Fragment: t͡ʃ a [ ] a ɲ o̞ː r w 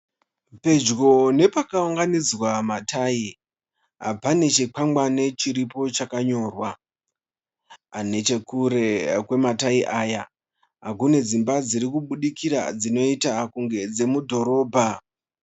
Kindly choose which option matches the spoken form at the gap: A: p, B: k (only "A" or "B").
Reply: B